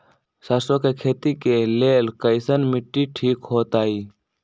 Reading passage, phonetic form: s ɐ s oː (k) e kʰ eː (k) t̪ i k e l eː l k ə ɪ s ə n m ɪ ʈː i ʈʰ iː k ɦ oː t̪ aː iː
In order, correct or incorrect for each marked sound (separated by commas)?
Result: correct, incorrect